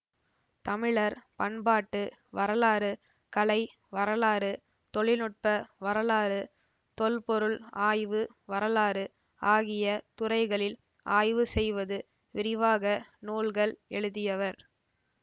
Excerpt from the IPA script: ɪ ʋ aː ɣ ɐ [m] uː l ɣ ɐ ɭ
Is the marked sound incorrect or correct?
incorrect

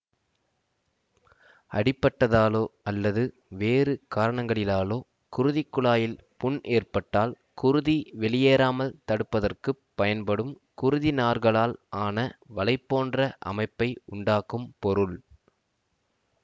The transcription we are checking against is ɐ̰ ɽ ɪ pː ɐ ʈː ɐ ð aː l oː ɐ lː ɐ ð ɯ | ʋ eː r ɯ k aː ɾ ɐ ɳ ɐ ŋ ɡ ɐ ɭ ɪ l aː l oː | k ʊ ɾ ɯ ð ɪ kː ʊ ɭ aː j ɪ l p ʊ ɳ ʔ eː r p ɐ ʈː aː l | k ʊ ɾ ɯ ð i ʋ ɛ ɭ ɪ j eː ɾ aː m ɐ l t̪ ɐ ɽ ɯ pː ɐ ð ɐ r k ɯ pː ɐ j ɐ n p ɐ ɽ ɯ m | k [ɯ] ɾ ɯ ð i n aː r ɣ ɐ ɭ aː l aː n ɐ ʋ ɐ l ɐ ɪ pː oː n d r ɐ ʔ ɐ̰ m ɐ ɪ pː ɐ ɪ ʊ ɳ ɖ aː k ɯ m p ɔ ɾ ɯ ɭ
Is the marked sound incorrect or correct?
incorrect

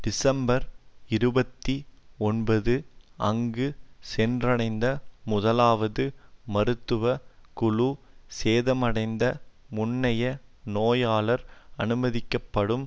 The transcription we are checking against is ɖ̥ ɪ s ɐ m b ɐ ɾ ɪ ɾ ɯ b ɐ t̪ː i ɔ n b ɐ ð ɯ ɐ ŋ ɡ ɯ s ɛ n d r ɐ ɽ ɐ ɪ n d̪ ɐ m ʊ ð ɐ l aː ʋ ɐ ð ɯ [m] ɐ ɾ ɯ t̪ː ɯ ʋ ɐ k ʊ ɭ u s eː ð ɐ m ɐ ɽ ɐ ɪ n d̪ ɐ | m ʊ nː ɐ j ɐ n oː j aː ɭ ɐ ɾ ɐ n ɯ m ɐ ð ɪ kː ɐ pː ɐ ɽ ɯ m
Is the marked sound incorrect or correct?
correct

